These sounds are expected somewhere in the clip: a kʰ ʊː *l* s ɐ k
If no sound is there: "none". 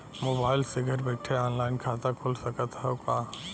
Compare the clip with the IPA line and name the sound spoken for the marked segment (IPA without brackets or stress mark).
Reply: l